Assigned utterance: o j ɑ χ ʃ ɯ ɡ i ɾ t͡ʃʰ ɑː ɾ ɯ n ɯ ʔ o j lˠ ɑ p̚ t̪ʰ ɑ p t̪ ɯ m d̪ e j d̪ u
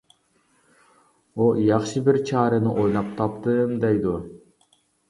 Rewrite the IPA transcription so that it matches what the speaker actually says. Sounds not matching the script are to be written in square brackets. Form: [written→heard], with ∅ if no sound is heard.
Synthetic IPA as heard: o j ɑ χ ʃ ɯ [ɡ→b] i ɾ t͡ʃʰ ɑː ɾ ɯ n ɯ ʔ o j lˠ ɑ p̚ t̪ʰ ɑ p t̪ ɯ m d̪ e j d̪ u